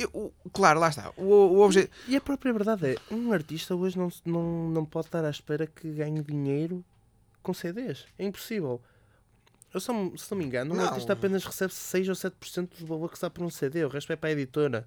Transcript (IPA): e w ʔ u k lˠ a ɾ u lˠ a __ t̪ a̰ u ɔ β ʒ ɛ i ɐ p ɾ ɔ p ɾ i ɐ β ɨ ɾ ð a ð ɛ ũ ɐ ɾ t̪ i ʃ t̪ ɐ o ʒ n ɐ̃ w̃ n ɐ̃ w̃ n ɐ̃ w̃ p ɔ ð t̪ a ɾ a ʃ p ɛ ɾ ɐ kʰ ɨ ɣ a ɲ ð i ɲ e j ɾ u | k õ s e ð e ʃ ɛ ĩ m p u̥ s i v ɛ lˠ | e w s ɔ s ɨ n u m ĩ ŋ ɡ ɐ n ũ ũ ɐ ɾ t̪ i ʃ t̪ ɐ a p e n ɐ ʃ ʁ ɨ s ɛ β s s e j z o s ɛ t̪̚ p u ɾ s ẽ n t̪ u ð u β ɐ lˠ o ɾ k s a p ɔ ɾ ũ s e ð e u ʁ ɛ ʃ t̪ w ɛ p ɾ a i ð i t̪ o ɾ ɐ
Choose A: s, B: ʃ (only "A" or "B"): B